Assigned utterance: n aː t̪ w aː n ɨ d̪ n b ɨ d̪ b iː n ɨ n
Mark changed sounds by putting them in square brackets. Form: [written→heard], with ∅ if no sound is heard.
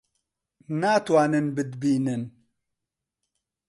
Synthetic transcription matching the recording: n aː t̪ w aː n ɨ [d̪→∅] n b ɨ d̪ b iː n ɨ n

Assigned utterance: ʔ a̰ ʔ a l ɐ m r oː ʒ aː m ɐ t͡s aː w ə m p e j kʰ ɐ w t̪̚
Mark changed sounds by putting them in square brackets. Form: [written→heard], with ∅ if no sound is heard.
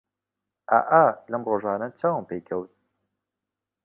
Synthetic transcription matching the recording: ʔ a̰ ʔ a l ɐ m r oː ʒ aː [m→n] ɐ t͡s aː w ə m p e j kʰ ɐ w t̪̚

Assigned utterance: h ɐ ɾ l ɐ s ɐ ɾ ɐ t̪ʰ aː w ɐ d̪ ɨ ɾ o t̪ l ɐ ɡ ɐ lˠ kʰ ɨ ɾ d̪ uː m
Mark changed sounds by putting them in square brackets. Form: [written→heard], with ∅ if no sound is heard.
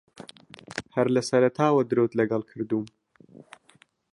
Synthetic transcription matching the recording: h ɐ ɾ l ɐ s ɐ ɾ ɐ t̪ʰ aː w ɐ d̪ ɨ ɾ o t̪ l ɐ ɡ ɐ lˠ kʰ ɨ ɾ d̪ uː m

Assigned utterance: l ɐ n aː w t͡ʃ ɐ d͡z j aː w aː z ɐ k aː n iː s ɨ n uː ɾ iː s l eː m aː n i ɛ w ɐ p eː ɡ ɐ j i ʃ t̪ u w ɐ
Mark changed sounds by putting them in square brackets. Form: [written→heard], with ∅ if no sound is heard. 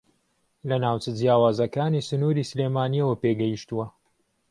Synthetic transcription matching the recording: l ɐ n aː w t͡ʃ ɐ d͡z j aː w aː z ɐ k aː n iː s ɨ n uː ɾ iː s l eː m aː n i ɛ w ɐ p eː ɡ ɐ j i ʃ t̪ u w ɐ

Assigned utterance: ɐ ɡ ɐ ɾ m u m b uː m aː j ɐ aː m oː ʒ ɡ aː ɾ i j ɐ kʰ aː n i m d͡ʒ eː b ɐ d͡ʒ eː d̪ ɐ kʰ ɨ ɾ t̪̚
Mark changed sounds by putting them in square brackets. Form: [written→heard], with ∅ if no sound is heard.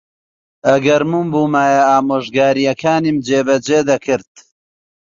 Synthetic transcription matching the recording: ɐ ɡ ɐ ɾ m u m b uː m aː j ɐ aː m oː ʒ ɡ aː ɾ i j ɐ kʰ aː n i m d͡ʒ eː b ɐ d͡ʒ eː d̪ ɐ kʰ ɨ ɾ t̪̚

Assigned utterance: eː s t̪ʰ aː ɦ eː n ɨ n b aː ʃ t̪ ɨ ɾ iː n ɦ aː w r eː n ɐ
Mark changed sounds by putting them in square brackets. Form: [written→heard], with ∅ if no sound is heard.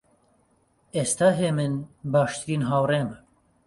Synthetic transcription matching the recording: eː s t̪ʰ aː ɦ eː [n→m] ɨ n b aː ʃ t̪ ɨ ɾ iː n ɦ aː w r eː [n→m] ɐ

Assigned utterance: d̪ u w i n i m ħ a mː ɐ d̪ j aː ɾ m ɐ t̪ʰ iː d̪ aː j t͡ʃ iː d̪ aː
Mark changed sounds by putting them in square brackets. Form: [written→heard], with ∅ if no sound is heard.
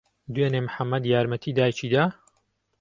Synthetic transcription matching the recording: d̪ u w [i→e] n [i→e] m ħ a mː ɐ d̪ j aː ɾ m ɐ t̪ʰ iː d̪ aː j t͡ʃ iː d̪ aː

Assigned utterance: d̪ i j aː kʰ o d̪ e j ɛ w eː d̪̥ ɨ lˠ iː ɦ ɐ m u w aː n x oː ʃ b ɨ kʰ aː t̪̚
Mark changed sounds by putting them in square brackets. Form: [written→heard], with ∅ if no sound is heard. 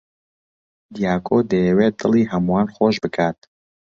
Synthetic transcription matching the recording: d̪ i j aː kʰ o d̪ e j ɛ w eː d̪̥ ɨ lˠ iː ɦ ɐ m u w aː n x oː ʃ b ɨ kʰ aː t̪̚

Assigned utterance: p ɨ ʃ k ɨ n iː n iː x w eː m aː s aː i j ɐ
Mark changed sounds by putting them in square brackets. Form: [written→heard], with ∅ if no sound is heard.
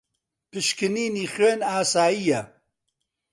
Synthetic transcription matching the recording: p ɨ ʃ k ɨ n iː n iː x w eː [m→n] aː s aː i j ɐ

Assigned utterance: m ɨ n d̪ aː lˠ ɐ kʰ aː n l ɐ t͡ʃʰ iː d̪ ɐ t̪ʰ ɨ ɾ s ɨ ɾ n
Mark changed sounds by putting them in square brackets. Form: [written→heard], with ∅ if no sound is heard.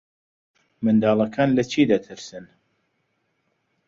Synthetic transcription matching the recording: m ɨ n d̪ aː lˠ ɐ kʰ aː n l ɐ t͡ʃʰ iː d̪ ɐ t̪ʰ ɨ ɾ s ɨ [ɾ→∅] n

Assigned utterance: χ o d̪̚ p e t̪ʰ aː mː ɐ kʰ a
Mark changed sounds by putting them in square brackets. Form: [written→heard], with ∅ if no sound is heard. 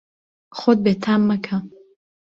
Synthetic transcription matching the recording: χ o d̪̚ [p→b] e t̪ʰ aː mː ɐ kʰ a

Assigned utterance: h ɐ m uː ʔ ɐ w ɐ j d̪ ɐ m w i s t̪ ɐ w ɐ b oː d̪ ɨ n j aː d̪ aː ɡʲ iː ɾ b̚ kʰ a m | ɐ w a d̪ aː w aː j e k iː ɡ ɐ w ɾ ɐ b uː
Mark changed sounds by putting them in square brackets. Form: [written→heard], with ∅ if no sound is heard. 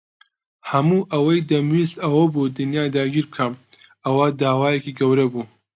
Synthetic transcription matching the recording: h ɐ m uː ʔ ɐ w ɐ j d̪ ɐ m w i s t̪ ɐ w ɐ b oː d̪ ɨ n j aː d̪ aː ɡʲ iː ɾ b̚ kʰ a m | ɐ w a d̪ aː w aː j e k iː ɡ ɐ w ɾ ɐ b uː

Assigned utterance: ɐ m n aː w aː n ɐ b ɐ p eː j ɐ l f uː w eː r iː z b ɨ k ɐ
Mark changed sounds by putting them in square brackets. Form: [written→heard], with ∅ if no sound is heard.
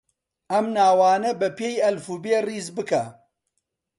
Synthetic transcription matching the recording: ɐ m n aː w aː n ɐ b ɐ p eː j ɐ l f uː [w→b] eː r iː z b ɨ k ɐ

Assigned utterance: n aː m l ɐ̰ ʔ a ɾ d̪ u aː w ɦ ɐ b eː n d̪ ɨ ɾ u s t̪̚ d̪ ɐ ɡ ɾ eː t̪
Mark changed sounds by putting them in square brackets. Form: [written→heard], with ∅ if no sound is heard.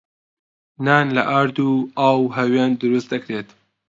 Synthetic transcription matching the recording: n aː [m→n] l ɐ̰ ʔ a ɾ d̪ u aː w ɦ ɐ [b→w] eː n d̪ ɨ ɾ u s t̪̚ d̪ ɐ [ɡ→k] ɾ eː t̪

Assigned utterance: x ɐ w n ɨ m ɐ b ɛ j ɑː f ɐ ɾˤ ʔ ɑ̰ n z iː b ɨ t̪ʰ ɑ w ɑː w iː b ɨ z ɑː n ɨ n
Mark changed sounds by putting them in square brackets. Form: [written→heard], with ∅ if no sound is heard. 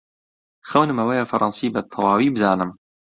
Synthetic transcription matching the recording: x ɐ w n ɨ m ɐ [b→w] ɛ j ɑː f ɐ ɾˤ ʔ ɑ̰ n [z→s] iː b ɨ t̪ʰ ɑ w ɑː w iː b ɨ z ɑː n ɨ [n→m]

